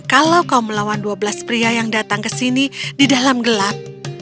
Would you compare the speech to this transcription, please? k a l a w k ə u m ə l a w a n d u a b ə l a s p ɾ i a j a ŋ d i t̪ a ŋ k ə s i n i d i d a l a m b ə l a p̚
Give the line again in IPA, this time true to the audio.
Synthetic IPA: k a l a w k a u m ə l a w a n d u a b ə l a s p ɾ i a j a ŋ d a t̪ a ŋ k ə s i n i d i d a l a m ɡ ə l a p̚